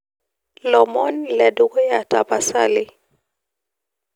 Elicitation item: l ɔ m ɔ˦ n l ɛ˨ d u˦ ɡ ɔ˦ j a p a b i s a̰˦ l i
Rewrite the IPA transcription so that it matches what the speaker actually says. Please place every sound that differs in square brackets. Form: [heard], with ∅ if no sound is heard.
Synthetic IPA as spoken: l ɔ m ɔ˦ n l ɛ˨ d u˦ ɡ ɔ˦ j a [t] a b [a] s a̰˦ l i